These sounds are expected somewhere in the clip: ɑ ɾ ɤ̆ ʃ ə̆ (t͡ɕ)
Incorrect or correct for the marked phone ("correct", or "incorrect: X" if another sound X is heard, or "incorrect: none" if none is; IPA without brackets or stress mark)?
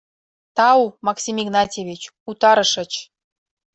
correct